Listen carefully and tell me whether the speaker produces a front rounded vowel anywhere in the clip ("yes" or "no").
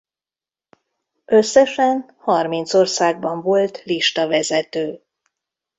yes